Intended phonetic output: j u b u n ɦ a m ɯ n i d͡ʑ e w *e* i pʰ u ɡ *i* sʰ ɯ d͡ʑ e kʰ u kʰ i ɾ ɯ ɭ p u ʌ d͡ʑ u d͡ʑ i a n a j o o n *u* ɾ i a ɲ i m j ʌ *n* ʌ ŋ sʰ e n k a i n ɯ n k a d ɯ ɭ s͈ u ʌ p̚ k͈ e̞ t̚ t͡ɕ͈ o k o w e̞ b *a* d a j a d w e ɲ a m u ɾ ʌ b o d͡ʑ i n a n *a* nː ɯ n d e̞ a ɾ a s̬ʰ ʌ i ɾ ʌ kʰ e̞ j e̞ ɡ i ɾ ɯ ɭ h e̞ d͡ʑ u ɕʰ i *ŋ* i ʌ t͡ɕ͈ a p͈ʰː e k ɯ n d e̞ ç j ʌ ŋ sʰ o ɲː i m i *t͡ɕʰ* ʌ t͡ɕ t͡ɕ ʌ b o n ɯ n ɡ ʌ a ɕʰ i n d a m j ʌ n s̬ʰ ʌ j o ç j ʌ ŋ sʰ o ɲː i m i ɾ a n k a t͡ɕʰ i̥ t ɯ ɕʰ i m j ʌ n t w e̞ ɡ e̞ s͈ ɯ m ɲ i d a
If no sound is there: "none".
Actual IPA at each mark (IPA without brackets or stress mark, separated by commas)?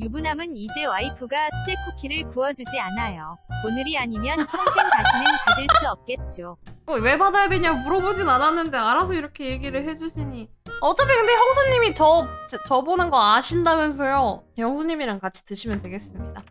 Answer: a, a, ɯ, n, a, a, ɲ, t͡ɕ